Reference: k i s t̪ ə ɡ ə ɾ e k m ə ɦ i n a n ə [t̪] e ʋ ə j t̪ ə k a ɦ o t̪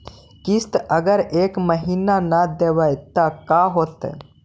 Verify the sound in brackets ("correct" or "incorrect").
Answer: incorrect